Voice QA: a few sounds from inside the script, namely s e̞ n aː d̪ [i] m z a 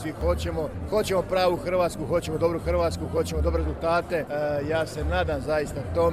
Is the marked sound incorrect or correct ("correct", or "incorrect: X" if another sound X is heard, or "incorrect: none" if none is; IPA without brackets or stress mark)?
incorrect: a